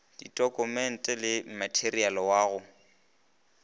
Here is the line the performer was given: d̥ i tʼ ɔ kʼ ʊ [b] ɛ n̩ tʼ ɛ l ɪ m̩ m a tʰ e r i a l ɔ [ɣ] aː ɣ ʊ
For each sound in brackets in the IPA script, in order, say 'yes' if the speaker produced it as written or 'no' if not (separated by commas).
no, no